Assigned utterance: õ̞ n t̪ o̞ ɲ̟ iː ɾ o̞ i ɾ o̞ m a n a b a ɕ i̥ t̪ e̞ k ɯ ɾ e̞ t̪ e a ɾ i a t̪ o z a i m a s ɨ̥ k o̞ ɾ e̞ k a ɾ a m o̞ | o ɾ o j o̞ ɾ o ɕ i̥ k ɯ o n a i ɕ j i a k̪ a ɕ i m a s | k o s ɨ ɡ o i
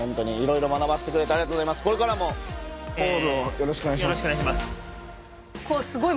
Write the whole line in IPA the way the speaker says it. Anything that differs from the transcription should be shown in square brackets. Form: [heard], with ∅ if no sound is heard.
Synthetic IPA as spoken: õ̞ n t̪ o̞ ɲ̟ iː ɾ o̞ i ɾ o̞ m a n a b a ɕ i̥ t̪ e̞ k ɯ ɾ e̞ t̪ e a ɾ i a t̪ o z a i m a s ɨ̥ k o̞ ɾ e̞ k a ɾ a m o̞ | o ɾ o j o̞ ɾ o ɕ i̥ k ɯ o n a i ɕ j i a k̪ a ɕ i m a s | k o s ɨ ɡ o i